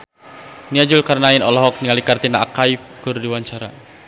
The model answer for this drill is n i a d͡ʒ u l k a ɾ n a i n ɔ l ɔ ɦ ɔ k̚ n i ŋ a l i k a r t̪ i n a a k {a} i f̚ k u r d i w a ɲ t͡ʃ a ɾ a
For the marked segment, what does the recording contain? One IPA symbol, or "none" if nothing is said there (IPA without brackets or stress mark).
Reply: a